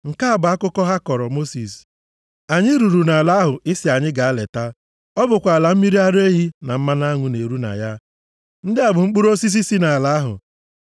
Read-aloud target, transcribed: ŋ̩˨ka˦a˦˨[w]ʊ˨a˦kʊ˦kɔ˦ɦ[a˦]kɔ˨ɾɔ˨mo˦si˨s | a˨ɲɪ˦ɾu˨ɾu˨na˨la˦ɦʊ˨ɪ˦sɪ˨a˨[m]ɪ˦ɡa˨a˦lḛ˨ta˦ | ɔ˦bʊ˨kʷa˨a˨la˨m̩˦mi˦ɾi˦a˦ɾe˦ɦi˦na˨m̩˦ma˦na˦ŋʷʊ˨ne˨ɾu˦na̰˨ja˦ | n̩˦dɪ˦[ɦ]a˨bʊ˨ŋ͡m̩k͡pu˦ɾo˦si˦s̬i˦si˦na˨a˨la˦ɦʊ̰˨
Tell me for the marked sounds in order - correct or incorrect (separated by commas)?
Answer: incorrect, correct, incorrect, incorrect